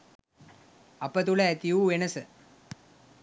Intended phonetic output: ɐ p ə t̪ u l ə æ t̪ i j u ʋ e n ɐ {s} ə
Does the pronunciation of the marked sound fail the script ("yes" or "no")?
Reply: no